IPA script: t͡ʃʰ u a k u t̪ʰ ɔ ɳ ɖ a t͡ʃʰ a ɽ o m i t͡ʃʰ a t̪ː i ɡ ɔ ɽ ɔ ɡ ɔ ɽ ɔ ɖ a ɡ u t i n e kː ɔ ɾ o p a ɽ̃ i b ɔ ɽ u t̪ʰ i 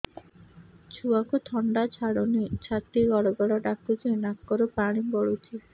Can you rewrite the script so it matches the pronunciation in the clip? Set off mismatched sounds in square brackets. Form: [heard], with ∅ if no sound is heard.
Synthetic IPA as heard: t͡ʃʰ u a k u t̪ʰ ɔ ɳ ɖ a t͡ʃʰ a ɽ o [n] i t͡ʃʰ a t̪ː i ɡ ɔ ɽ ɔ ɡ ɔ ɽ ɔ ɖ a [k] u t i n [a] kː ɔ ɾ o p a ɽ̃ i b ɔ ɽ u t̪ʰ i